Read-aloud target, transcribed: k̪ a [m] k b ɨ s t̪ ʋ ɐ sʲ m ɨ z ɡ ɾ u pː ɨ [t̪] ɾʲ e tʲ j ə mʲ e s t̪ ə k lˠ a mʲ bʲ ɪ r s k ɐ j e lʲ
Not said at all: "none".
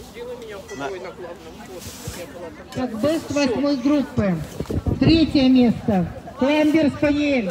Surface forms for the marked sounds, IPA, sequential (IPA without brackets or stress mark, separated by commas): none, t̪